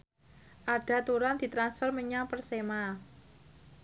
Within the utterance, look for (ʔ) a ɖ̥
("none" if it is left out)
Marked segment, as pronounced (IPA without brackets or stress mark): ʔ